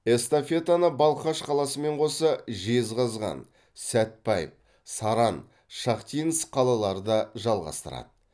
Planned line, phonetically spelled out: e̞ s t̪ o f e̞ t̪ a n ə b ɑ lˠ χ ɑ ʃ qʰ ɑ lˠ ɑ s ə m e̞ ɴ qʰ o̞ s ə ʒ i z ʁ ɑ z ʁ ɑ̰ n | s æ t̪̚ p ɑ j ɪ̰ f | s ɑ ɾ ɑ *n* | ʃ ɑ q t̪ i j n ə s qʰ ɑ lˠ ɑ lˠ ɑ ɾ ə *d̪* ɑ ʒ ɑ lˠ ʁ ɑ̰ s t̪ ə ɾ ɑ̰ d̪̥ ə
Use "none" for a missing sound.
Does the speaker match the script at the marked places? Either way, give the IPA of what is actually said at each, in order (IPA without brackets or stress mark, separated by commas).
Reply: n, d̪